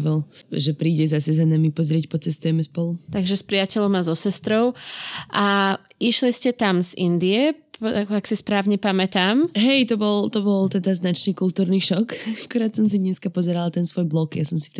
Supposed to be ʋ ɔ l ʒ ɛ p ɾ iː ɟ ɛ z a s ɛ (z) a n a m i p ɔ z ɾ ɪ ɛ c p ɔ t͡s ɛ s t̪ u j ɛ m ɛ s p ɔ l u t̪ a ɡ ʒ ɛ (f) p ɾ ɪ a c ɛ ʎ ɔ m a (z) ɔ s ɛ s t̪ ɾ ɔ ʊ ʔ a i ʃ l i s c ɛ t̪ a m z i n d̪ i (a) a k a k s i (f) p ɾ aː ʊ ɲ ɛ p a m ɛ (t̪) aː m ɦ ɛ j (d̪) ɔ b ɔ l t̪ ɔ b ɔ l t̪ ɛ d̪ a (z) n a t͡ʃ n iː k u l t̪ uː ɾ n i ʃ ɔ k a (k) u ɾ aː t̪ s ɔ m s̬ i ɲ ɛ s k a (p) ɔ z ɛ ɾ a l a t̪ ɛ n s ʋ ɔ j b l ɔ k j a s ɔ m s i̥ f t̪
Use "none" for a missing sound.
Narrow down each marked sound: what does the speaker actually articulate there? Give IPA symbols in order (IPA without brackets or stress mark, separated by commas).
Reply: z, s, z, ɛ, s, t̪, t̪, z, k, p